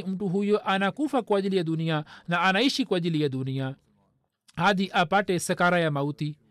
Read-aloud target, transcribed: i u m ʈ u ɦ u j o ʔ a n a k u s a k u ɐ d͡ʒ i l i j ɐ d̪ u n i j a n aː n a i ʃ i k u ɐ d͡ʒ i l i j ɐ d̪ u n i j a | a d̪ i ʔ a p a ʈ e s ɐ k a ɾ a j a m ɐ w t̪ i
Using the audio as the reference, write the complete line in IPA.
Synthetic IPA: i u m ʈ u ɦ u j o ʔ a n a k u f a k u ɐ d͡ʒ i l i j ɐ d̪ u n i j a n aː n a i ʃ i k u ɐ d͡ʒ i l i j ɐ d̪ u n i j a | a d̪ i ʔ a p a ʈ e s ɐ k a ɾ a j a m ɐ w t̪ i